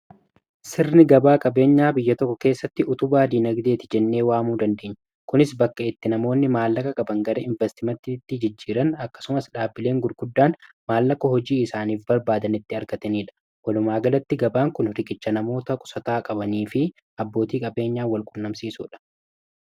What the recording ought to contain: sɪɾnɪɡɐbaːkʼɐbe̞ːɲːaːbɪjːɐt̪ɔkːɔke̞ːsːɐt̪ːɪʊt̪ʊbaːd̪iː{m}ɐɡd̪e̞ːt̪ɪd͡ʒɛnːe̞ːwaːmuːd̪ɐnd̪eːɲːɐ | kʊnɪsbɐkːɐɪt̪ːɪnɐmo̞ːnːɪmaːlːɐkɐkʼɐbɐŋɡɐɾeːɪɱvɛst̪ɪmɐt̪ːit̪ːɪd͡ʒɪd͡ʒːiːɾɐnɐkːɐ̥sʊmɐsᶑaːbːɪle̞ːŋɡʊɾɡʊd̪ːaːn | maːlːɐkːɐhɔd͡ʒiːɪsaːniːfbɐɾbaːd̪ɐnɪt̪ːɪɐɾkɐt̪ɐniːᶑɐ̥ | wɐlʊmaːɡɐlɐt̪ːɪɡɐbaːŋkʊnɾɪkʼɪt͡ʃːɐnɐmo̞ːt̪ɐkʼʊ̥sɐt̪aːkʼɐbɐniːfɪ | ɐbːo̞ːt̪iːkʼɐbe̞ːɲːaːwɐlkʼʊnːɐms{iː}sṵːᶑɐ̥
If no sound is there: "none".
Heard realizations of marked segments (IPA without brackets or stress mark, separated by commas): n, iː